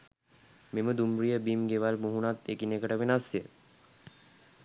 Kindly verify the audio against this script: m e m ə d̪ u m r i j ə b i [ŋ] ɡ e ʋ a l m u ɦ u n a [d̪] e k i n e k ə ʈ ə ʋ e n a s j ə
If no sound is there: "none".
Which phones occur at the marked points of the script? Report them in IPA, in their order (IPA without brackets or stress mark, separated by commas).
m, t̪